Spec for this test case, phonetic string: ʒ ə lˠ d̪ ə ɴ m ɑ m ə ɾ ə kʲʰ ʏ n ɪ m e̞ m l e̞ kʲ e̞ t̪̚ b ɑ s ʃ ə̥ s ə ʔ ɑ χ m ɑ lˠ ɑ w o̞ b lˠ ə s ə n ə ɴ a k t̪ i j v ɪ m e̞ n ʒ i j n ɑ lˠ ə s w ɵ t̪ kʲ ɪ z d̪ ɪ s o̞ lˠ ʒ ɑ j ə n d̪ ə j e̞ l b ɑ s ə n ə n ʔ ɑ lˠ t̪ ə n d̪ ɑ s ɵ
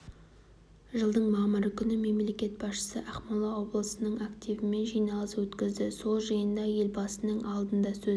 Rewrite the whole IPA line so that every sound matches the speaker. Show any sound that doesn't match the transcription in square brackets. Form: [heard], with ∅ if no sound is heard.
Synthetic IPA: ʒ ə lˠ d̪ ə ɴ m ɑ m ə ɾ ə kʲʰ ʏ n ɪ m e̞ m l e̞ kʲ e̞ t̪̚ b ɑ s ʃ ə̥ s ə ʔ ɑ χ m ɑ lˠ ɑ w o̞ b lˠ ə s ə n ə ɴ a k t̪ i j v ɪ m e̞ n ʒ i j n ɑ lˠ ə s w ɵ t̪ kʲ ɪ z d̪ ɪ s o̞ lˠ ʒ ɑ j ə n d̪ [ɑ] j e̞ l b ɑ s ə n ə [ɴ] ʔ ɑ lˠ [d̪] ə n d̪ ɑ s ɵ